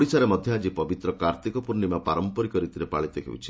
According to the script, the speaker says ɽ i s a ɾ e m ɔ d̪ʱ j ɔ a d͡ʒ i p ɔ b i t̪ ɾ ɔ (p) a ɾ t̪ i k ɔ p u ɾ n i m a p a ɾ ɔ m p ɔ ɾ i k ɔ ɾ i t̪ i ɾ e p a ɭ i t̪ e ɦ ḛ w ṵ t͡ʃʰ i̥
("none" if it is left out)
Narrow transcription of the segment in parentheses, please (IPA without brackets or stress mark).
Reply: k